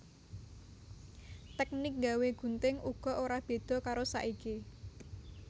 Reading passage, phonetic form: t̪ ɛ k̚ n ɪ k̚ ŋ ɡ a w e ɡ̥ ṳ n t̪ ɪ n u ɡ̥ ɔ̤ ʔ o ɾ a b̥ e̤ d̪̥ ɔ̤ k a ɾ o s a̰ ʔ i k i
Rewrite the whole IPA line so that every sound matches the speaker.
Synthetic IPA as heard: t̪ ɛ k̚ n ɪ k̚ ŋ ɡ a w e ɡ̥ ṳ n t̪ ɪ ŋ u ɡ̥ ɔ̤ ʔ o ɾ a b̥ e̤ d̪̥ ɔ̤ k a ɾ o s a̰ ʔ i k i